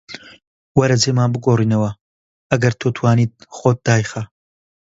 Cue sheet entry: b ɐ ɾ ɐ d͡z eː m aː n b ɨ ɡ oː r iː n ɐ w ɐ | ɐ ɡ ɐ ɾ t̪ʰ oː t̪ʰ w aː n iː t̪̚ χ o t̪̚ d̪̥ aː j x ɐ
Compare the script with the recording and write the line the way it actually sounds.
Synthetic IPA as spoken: w ɐ ɾ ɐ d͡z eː m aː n b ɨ ɡ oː r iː n ɐ w ɐ | ɐ ɡ ɐ ɾ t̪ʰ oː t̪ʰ w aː n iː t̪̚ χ o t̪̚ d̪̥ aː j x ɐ